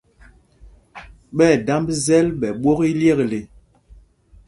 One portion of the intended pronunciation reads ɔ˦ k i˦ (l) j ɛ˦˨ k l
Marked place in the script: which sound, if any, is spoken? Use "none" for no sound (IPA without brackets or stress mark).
l